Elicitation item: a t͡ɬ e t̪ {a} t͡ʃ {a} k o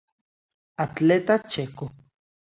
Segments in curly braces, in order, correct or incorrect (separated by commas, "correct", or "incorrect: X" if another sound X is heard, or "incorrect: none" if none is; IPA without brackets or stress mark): correct, incorrect: e